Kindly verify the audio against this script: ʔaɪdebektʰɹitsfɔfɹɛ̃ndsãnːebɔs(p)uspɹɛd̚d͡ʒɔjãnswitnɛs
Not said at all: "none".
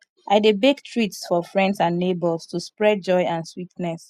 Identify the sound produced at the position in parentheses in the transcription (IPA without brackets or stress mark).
t